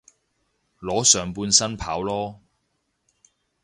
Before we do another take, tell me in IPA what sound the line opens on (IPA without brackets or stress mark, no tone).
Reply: l